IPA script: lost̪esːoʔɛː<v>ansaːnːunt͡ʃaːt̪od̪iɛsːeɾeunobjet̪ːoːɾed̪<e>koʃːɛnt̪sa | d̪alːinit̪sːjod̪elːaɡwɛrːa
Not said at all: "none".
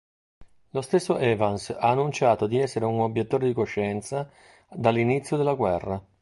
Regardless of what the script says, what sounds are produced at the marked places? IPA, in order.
v, i

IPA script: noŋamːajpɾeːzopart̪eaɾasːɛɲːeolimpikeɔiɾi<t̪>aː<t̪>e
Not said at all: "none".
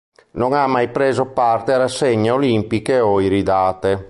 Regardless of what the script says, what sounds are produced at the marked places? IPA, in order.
d̪, t̪

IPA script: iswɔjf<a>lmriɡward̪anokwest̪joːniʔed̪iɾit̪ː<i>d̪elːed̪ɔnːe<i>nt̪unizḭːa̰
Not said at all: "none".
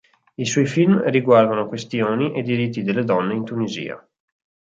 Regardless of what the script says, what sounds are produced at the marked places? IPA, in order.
i, i, i

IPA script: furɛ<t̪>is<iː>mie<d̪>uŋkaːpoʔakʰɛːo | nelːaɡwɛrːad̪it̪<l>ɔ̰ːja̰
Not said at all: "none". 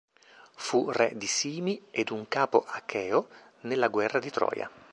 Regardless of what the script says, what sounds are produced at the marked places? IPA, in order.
d̪, iː, d̪, ɾ

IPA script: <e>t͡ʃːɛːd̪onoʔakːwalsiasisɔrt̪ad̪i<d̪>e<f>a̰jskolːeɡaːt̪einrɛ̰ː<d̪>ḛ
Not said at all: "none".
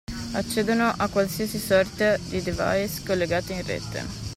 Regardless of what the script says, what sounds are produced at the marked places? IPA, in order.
a, d̪, v, t̪

